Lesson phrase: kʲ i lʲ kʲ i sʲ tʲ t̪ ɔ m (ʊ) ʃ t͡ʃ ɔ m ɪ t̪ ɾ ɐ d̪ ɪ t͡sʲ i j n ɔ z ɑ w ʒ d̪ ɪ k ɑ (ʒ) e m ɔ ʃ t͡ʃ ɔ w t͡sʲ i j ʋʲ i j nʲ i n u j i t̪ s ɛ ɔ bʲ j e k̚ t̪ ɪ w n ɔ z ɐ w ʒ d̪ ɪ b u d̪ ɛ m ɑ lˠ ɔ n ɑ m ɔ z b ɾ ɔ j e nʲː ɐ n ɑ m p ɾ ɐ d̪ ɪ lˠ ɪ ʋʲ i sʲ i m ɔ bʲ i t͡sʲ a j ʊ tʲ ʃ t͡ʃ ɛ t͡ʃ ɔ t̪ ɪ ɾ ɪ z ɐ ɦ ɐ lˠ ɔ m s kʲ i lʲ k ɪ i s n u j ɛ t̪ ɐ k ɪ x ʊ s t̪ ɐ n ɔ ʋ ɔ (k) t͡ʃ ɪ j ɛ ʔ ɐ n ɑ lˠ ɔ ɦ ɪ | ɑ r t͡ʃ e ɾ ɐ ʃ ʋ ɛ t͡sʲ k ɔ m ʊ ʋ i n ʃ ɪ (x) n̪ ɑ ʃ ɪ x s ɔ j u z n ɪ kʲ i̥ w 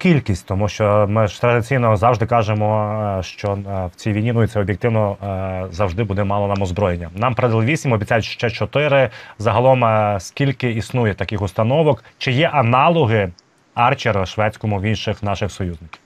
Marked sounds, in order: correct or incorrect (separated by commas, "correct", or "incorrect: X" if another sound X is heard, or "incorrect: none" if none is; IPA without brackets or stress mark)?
incorrect: u, correct, correct, correct